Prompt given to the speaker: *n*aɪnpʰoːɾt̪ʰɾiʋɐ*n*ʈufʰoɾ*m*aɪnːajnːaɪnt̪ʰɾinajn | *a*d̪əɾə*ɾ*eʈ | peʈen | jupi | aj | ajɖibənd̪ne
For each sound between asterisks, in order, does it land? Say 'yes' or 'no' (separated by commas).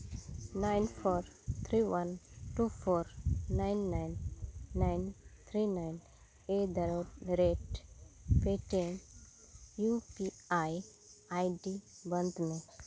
yes, yes, no, no, yes